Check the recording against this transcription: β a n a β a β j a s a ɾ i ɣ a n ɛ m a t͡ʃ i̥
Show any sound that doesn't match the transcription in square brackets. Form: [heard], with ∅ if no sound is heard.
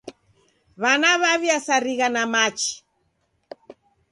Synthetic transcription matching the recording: β a n a β a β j a s a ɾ i ɣ a n [a] m a t͡ʃ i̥